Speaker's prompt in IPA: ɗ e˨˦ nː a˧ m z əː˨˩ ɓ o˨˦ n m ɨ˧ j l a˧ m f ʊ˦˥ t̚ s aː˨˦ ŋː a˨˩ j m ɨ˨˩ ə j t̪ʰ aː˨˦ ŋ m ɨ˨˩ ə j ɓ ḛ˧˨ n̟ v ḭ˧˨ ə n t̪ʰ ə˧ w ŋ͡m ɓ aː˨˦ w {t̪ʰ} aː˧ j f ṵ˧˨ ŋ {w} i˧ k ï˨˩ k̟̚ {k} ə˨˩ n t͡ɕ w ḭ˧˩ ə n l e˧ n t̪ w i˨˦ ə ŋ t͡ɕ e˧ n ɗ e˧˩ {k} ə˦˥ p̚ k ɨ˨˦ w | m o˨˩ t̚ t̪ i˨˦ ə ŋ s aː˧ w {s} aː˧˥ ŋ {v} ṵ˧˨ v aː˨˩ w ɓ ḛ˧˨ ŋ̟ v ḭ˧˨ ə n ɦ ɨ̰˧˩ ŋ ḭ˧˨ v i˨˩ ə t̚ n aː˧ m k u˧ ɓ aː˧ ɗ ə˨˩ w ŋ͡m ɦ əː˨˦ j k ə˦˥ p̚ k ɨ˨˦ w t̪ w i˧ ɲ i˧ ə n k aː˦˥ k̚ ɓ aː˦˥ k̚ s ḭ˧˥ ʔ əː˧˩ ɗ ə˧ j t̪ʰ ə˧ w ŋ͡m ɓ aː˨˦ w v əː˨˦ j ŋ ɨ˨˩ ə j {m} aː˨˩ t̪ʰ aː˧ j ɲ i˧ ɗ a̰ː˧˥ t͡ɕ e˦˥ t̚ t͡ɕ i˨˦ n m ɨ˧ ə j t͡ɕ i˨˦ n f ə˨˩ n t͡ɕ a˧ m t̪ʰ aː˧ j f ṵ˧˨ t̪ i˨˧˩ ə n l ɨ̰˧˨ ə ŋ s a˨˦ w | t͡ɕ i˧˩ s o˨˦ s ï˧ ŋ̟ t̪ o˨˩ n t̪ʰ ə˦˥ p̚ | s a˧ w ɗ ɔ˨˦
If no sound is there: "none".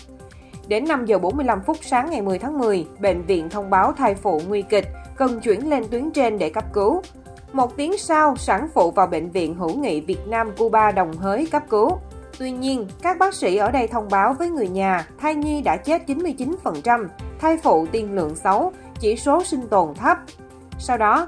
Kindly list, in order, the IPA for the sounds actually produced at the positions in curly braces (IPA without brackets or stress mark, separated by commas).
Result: t̪ʰ, w, k, k, s, f, ɲ